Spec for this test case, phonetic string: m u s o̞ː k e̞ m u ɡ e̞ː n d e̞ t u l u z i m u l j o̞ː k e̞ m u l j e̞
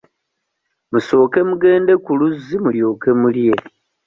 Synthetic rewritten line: m u s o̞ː k e̞ m u ɡ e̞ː n d e̞ k u l u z i m u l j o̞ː k e̞ m u l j e̞